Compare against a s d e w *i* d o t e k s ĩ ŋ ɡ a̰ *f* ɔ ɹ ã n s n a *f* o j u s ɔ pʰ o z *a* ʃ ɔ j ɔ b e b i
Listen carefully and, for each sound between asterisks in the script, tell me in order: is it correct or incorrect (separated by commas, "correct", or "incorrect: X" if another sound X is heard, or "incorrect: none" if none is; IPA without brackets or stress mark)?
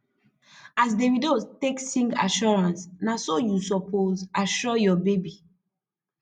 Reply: correct, incorrect: ʃ, incorrect: s, correct